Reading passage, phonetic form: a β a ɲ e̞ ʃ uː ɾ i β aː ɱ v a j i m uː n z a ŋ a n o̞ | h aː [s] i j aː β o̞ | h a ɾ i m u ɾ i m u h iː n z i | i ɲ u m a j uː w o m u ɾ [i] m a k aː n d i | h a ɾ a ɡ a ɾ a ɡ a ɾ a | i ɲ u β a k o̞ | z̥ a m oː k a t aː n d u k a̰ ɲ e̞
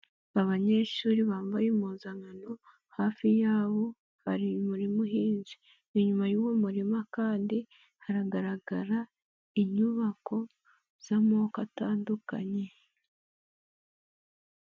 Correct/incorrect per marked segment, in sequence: incorrect, correct

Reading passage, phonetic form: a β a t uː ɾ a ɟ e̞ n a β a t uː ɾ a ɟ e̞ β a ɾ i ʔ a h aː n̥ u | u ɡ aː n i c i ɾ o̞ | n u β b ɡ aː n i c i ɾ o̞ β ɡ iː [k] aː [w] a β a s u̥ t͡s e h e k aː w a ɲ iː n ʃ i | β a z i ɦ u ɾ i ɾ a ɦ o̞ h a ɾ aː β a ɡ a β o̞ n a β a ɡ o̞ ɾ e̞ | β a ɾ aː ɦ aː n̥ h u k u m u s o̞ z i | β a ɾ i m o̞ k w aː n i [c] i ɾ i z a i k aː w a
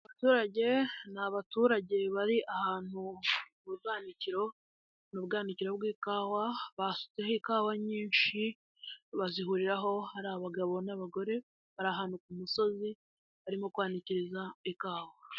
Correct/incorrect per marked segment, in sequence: correct, correct, correct

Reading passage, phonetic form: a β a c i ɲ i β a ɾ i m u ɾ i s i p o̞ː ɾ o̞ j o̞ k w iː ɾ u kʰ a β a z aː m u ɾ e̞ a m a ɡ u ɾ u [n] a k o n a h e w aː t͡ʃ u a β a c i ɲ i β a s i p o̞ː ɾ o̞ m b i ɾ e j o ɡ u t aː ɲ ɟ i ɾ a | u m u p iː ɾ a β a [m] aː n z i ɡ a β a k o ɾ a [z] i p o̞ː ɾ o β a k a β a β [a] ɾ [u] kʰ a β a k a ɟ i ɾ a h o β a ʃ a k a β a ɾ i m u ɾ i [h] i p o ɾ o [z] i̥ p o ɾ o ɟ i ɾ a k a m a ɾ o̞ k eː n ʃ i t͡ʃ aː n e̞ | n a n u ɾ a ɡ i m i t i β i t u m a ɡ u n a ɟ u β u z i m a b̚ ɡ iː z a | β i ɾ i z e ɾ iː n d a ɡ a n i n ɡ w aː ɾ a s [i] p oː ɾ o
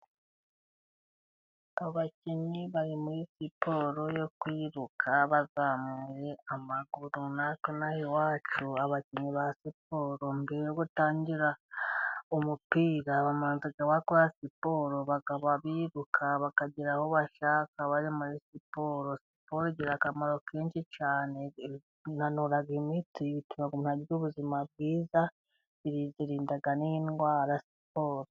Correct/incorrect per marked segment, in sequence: correct, correct, incorrect, incorrect, correct, incorrect, incorrect, correct

